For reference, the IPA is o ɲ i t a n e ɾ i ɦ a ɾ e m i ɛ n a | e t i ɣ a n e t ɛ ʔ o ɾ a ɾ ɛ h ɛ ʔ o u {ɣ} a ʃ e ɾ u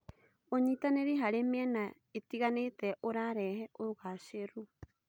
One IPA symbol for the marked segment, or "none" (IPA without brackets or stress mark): ɣ